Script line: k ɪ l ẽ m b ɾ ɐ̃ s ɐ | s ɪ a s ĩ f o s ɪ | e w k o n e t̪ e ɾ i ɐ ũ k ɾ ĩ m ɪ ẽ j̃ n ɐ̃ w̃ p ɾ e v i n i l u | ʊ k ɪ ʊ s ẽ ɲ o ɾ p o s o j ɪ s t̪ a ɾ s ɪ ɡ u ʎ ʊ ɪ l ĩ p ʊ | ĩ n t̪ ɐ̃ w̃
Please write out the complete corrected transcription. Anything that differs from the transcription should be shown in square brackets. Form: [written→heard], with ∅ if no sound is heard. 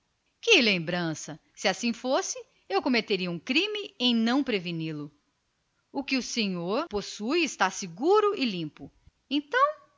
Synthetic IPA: k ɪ l ẽ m b ɾ ɐ̃ s ɐ | s ɪ a s ĩ f o s ɪ | e w k o [n→m] e t̪ e ɾ i ɐ ũ k ɾ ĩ m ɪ ẽ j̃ n ɐ̃ w̃ p ɾ e v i n i l [u→ʊ] | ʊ k ɪ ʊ s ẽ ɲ o ɾ p o s [o→u] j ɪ s t̪ a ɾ s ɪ ɡ u [ʎ→ɾ] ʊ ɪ l ĩ p ʊ | [ĩ→ẽ] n t̪ ɐ̃ w̃